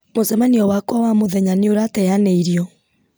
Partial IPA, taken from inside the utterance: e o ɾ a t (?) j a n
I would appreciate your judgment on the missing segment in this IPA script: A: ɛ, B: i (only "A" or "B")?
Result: A